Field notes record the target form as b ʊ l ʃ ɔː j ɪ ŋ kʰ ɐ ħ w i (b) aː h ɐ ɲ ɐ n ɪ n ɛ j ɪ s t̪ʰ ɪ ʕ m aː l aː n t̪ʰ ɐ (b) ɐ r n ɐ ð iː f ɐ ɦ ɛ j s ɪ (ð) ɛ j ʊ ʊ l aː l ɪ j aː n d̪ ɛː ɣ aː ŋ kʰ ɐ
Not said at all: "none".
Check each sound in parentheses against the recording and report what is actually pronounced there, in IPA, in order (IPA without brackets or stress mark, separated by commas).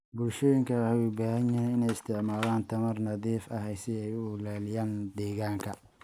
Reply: b, m, none